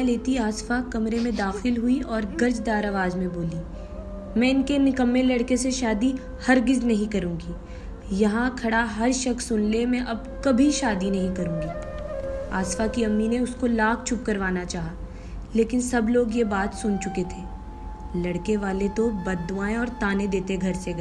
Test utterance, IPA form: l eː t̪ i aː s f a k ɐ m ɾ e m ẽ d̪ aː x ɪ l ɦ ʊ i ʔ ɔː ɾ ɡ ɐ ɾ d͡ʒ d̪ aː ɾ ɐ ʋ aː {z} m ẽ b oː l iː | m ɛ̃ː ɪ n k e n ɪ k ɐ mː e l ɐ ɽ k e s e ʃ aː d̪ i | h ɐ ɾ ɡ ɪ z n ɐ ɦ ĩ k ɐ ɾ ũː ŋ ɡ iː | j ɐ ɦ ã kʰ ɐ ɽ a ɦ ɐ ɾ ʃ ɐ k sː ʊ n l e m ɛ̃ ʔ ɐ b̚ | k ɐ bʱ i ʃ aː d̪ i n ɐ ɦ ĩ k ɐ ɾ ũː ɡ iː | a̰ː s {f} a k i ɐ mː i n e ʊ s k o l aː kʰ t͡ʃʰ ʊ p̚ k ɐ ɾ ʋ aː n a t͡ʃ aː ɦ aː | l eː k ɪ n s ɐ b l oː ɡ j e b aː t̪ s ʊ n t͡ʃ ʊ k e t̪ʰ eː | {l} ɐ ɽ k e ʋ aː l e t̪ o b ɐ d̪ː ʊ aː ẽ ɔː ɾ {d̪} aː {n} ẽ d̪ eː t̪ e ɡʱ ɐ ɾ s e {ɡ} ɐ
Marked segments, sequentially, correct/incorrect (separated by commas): correct, correct, correct, incorrect, correct, correct